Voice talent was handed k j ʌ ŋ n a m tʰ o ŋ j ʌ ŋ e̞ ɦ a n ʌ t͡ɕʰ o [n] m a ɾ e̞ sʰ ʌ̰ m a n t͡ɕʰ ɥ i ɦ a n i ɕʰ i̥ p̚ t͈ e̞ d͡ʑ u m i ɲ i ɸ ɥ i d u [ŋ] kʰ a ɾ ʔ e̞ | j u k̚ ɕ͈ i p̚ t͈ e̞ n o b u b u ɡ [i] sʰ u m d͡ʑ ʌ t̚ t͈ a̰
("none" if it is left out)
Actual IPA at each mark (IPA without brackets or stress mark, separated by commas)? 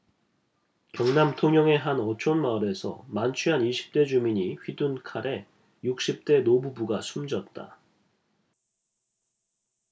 n, n, a